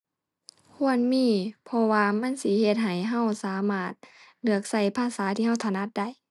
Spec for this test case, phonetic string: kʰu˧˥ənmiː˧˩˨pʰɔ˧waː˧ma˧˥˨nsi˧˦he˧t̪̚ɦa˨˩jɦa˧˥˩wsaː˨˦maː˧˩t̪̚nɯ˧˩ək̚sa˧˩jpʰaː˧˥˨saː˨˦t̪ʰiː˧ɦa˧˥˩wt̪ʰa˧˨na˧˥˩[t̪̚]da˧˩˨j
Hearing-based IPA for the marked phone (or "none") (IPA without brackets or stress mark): t̪̚